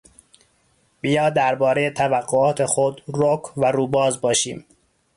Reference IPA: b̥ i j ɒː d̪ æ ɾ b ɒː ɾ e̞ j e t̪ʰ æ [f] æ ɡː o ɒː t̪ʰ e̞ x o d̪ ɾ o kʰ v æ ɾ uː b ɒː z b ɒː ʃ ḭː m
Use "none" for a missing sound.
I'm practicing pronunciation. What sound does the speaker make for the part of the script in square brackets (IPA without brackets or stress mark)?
v